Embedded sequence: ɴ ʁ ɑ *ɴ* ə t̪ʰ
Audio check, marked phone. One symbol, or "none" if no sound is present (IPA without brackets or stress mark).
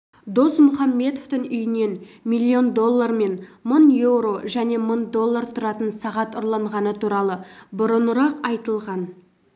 n